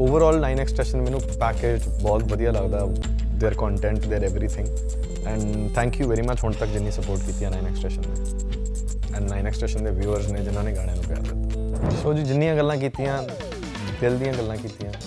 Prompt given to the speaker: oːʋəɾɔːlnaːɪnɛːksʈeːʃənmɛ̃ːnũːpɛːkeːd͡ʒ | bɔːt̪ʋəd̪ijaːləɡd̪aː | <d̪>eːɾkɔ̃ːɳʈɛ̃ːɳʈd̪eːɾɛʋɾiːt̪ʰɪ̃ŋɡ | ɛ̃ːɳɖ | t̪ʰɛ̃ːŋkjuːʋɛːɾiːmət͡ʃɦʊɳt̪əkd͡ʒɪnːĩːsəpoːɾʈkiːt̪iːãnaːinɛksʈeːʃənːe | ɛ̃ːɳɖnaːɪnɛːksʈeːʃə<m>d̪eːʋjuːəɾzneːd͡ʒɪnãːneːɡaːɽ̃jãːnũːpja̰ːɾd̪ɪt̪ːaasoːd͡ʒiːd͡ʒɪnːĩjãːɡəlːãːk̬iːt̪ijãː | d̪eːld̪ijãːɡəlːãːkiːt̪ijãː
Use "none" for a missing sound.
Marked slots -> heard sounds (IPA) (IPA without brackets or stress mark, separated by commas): d̪, n